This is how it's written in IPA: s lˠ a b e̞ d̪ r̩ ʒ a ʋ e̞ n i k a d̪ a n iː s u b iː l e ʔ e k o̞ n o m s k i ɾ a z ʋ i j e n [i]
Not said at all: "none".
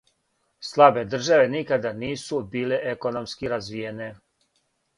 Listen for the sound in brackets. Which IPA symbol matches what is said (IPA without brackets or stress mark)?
e